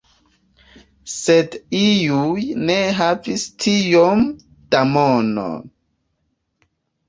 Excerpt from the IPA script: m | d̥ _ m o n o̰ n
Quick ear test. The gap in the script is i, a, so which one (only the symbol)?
a